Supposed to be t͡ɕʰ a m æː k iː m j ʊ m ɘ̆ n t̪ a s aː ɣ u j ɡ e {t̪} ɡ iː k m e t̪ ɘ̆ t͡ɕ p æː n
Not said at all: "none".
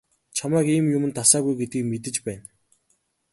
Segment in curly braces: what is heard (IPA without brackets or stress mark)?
t̪